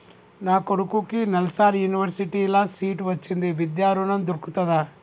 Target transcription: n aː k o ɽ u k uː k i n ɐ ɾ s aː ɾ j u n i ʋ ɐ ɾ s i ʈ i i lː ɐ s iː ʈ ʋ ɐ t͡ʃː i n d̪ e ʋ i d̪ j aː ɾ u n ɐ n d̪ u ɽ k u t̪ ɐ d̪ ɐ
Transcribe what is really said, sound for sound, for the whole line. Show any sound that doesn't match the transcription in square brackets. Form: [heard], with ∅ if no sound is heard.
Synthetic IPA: n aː k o ɽ u k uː k i n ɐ [l] s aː ɾ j u n i ʋ ɐ ɾ s i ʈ i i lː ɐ s iː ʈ ʋ ɐ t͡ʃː i n d̪ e ʋ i d̪ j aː ɾ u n ɐ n d̪ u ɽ k u t̪ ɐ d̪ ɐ